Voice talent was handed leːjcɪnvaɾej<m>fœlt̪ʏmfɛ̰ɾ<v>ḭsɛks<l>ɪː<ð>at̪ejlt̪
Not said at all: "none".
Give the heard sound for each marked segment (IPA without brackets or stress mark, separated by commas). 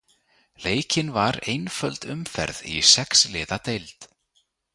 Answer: n, ð, l, ð